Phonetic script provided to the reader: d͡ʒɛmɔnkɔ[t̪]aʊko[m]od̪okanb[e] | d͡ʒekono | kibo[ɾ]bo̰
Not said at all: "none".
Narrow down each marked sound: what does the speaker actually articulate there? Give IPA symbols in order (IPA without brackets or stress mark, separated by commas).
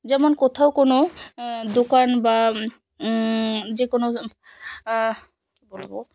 t̪ʰ, n, a, l